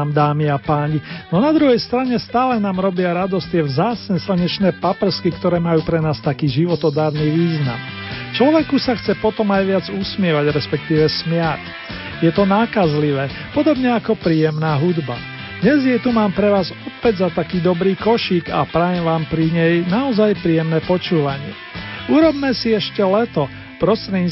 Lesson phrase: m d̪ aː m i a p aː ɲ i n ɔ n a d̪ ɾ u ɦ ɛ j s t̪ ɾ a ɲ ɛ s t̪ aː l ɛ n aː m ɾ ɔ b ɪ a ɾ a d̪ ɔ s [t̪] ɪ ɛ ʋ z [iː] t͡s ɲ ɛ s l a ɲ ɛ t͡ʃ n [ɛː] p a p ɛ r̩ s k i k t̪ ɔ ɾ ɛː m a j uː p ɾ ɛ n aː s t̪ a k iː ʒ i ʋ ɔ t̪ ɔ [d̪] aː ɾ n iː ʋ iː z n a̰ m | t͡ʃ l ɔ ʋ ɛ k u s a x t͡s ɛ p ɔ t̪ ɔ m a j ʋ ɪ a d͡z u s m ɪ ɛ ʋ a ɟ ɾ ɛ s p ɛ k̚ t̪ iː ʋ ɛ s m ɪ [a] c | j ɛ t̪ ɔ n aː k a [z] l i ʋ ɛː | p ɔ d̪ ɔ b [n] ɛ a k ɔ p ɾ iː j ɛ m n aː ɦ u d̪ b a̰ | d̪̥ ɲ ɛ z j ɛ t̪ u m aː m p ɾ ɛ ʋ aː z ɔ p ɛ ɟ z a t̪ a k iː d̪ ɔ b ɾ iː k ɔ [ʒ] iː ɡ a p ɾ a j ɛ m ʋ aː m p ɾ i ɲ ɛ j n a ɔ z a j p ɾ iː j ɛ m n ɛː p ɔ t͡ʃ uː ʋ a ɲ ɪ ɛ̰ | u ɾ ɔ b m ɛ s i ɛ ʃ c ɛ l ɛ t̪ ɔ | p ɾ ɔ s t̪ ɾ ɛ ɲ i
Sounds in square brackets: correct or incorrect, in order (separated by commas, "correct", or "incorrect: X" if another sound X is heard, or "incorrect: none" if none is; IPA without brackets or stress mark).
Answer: correct, incorrect: aː, correct, correct, correct, correct, incorrect: ɲ, incorrect: ʃ